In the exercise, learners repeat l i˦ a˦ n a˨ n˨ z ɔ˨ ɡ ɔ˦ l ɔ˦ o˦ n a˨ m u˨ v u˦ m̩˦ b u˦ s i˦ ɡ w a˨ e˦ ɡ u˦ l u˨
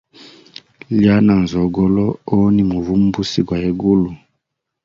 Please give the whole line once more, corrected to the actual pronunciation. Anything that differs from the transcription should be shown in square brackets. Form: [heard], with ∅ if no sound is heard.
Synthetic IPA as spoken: l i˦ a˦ n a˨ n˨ z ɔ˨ ɡ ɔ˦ l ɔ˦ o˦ n [i˨] m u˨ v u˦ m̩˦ b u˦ s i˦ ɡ w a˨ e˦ ɡ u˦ l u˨